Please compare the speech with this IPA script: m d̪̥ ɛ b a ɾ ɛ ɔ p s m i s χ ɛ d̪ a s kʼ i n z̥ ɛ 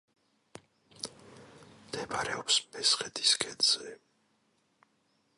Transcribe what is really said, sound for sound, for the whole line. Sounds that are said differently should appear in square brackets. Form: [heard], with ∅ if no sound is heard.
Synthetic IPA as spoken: m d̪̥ ɛ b a ɾ ɛ ɔ p s m [ɛ] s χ ɛ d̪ [i] s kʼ [ɛ] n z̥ ɛ